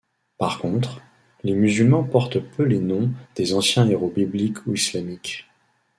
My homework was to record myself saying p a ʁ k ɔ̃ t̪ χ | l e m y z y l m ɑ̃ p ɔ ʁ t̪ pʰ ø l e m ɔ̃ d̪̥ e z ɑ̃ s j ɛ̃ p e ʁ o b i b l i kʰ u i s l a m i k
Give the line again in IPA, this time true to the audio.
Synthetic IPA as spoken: p a ʁ k ɔ̃ t̪ χ | l e m y z y l m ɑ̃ p ɔ ʁ t̪ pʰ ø l e n ɔ̃ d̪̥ e z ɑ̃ s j ɛ̃ e ʁ o b i b l i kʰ u i s l a m i k